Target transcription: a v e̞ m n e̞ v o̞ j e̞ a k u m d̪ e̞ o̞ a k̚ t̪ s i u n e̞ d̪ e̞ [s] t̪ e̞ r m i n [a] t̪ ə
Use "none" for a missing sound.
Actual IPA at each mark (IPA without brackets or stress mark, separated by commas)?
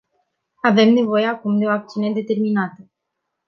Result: none, a